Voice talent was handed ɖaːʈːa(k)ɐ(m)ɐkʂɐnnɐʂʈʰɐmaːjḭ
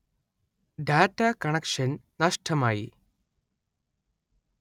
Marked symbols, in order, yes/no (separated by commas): yes, no